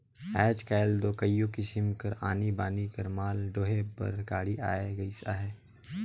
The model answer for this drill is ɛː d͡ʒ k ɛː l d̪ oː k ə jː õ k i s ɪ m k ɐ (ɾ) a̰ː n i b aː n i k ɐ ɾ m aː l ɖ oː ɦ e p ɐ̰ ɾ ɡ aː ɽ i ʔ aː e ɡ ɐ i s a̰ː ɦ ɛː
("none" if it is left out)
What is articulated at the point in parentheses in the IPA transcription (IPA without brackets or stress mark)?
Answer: ɾ